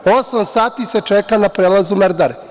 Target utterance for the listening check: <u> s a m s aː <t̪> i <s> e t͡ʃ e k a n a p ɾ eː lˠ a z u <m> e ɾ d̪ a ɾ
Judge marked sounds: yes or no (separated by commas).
no, yes, yes, yes